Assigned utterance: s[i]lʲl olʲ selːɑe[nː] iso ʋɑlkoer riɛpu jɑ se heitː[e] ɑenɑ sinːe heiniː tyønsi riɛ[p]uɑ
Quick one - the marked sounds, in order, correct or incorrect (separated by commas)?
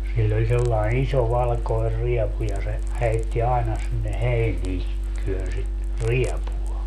correct, incorrect, incorrect, correct